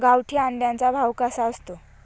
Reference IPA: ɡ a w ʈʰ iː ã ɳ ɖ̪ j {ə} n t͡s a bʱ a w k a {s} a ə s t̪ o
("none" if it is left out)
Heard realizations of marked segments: a, s

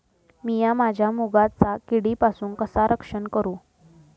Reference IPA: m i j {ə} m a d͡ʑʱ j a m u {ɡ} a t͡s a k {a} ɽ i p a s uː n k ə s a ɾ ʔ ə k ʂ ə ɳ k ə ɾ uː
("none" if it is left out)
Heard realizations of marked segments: a, ɡ, i

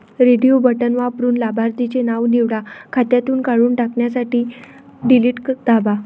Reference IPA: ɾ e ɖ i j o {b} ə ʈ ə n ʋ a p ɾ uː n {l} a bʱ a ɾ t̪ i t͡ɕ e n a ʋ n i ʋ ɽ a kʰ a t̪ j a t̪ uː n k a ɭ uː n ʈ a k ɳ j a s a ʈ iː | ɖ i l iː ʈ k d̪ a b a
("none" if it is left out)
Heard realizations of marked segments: b, l

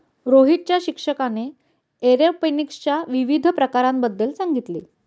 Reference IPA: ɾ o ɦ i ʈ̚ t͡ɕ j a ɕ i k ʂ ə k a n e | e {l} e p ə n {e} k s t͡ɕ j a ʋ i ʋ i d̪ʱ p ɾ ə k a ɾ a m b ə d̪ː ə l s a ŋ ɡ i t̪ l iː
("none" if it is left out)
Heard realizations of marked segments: ɾ, i

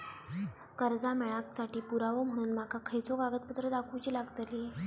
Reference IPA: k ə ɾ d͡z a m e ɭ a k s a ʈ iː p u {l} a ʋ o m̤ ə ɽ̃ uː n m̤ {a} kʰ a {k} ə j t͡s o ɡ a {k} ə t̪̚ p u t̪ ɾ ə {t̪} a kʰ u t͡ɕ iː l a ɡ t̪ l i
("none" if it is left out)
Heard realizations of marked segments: ɾ, a, kʰ, ɡ, d̪

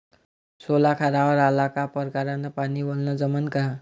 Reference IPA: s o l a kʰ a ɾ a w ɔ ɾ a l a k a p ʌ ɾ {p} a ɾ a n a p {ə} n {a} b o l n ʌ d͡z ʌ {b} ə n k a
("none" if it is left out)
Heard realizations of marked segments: k, a, i, m

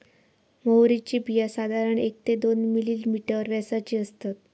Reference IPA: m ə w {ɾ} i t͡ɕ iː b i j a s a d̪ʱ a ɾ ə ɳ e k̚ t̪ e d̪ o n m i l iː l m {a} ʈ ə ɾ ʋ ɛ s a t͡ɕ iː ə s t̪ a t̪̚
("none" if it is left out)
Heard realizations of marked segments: ɾ, i

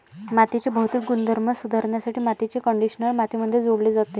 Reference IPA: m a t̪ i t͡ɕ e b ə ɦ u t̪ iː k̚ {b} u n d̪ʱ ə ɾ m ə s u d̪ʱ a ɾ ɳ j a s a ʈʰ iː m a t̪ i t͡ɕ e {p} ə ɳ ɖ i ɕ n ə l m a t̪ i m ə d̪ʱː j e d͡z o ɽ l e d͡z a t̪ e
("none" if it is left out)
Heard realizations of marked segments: ɡ, k

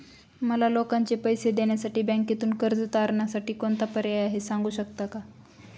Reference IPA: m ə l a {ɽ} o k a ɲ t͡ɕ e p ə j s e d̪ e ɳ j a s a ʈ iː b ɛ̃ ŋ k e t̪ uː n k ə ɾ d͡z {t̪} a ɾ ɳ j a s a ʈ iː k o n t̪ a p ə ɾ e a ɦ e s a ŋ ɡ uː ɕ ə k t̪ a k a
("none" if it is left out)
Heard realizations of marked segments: l, t̪

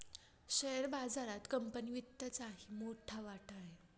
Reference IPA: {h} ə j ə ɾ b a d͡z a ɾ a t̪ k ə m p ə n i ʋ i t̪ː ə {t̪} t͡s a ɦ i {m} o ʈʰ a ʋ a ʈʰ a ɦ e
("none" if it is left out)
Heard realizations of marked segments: ɕ, none, m

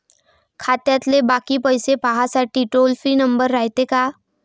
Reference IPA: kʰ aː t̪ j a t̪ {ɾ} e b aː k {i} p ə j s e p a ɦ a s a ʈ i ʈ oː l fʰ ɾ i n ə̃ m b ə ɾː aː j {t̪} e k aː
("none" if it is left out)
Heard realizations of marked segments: l, i, t̪

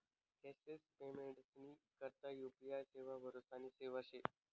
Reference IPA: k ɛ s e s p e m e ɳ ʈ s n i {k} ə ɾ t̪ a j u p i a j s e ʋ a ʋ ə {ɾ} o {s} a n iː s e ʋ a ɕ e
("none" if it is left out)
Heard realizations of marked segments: k, ɾ, s

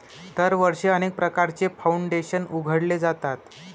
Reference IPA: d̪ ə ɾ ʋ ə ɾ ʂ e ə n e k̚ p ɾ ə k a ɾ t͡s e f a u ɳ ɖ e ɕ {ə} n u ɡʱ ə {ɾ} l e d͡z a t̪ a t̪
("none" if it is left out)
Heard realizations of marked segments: ə, ɽ

